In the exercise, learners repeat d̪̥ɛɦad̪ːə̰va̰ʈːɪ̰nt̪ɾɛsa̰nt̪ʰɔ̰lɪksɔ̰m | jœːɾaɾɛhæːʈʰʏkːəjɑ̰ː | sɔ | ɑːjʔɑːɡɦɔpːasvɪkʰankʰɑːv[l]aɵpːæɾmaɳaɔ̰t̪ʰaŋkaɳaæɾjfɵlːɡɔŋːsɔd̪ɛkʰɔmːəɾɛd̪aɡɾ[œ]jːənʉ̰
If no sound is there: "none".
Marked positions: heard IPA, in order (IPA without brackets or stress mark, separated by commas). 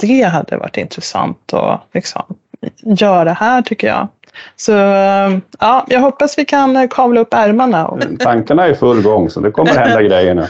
l, ɛ